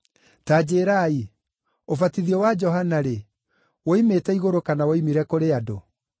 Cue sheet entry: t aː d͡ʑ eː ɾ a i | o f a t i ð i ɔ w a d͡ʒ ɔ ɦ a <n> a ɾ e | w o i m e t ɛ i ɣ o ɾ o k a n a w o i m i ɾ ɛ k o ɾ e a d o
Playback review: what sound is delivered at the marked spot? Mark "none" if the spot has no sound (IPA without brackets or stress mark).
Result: n